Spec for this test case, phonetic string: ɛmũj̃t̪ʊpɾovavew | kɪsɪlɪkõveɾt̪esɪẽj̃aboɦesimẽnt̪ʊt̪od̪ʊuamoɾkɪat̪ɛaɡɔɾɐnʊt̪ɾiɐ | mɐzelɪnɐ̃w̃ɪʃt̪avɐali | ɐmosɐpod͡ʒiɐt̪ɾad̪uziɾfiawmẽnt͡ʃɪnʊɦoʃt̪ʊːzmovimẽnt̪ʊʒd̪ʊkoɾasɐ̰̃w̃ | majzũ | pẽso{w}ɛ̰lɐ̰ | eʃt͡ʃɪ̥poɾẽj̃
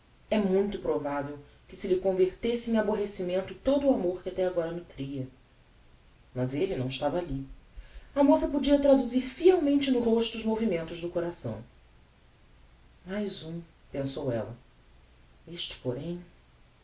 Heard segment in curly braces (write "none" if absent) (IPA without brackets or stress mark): w